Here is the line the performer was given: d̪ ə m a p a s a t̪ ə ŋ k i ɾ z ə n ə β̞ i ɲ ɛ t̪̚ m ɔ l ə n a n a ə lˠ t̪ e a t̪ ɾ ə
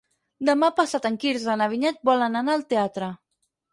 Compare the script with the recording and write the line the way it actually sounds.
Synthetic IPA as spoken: d̪ ə m a p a s a t̪ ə ŋ k i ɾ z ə n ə β̞ i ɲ ɛ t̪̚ b ɔ l ə n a n a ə lˠ t̪ e a t̪ ɾ ə